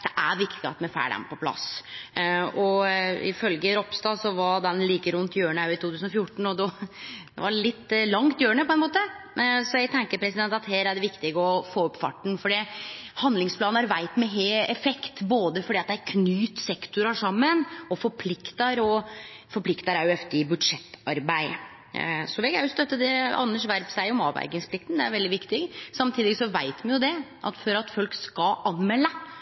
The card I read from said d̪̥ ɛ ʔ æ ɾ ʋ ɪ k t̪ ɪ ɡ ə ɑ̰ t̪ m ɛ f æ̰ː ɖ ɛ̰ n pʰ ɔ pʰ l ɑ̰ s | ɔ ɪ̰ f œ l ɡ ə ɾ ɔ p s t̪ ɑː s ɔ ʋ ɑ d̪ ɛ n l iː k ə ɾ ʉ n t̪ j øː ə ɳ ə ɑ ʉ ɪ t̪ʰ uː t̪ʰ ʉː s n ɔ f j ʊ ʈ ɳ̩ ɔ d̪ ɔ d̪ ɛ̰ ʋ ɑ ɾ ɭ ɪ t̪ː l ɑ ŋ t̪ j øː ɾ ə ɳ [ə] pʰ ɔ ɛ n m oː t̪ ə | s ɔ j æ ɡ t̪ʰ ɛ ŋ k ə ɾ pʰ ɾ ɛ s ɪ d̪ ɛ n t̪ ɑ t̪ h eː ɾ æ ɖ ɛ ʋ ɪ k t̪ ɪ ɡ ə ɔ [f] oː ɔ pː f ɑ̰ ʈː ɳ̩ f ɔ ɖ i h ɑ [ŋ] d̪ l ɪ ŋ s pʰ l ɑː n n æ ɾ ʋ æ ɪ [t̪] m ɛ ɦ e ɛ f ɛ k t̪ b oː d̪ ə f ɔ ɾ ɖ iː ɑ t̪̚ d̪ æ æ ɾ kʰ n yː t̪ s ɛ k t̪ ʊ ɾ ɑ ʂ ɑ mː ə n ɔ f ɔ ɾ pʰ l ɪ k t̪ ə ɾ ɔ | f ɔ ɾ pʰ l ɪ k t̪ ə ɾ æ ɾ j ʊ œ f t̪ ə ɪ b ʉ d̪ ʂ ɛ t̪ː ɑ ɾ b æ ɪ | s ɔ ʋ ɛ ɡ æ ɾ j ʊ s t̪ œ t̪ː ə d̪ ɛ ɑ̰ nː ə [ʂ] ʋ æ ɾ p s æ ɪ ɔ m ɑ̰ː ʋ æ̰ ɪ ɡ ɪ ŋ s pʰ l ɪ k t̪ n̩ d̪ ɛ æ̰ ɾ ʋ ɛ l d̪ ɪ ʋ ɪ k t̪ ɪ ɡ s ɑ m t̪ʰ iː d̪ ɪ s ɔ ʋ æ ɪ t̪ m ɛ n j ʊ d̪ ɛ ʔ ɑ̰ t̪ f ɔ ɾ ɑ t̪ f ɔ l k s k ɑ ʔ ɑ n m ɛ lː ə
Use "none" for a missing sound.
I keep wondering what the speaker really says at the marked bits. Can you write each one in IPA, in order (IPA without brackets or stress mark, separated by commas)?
ə, f, n, t̪, ʂ